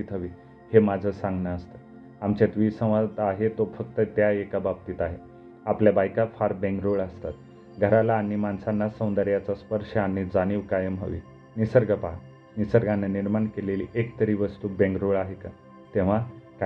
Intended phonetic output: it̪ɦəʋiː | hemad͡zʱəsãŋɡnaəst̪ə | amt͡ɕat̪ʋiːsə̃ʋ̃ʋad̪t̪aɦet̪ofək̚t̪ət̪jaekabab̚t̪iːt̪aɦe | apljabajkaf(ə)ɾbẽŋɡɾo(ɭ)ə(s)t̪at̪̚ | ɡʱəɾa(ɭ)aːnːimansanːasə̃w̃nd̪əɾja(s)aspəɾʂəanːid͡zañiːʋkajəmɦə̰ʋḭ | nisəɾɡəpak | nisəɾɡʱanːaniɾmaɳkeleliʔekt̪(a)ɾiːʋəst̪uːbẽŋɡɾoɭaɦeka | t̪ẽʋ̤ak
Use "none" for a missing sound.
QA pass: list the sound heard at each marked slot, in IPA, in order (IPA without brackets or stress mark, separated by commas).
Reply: a, ɭ, s, l, t͡s, ə